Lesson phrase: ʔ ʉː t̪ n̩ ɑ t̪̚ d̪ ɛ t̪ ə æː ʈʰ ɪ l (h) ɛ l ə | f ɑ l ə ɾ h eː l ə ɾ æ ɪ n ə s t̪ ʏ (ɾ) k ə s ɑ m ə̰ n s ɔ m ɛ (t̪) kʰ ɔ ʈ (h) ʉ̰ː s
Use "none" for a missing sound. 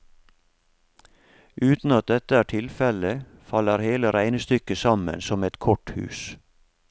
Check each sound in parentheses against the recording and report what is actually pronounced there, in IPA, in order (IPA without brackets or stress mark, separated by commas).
f, none, t̪, h